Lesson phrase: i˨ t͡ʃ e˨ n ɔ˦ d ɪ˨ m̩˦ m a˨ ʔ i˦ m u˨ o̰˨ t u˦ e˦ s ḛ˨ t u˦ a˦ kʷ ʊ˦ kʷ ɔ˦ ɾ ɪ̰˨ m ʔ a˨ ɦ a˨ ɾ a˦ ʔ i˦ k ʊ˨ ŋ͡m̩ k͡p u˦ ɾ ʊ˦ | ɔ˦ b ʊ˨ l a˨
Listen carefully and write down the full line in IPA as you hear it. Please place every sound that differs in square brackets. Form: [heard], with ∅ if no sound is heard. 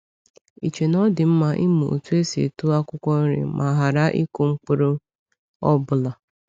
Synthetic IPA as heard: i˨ t͡ʃ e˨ n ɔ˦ d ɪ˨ m̩˦ m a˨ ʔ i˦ m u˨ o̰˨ t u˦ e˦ s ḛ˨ t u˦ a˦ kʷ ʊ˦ kʷ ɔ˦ ɾ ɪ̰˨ m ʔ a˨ ɦ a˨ ɾ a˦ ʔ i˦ k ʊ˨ ŋ͡m̩ k͡p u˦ ɾ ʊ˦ | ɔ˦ b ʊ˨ l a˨